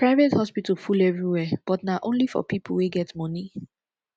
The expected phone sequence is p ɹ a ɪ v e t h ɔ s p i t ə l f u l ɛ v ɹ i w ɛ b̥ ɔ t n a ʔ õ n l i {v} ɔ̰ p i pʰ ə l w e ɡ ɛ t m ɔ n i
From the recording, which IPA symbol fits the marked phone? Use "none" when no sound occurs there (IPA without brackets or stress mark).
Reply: f